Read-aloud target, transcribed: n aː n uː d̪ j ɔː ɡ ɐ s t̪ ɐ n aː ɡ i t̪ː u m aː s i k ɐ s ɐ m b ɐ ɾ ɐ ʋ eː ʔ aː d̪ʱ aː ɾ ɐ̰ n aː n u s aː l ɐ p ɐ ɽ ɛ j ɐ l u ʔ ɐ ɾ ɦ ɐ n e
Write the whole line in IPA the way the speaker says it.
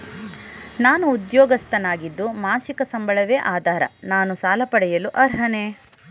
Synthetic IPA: n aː n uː d̪ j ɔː ɡ ɐ s t̪ ɐ n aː ɡ i d̪ː u m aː s i k ɐ s ɐ m b ɐ ɭ ɐ ʋ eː ʔ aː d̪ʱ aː ɾ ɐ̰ n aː n u s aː l ɐ p ɐ ɽ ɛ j ɐ l u ʔ ɐ ɾ ɦ ɐ n e